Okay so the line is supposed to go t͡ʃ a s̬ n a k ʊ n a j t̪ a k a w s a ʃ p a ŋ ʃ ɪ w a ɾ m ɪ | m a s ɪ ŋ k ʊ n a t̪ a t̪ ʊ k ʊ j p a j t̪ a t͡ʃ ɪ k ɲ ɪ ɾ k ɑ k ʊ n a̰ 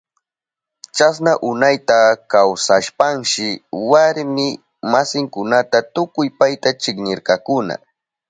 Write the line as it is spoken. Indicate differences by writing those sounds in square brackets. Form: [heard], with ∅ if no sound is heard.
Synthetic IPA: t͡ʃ a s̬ n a [ʔ] ʊ n a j t̪ a k a w s a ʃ p a ŋ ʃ ɪ w a ɾ m ɪ | m a s ɪ ŋ k ʊ n a t̪ a t̪ ʊ k ʊ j p a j t̪ a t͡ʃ ɪ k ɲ ɪ ɾ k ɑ k ʊ n a̰